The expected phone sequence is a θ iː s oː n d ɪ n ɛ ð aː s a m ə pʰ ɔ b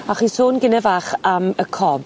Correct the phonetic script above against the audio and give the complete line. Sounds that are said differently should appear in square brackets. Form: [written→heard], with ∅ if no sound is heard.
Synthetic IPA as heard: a [θ→χ] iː s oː n [d→ɡ] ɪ n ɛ [ð→v] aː [s→χ] a m ə [pʰ→kʰ] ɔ b